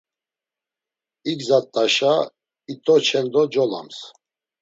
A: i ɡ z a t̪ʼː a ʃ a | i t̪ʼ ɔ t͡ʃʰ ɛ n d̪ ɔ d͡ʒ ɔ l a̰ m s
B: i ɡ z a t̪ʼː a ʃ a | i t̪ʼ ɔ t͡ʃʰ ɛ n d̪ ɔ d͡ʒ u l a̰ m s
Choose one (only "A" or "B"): A